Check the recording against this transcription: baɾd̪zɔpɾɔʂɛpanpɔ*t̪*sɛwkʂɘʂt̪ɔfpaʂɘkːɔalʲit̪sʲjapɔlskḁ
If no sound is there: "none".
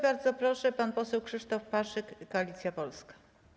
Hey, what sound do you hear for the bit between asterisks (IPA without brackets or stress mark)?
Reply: none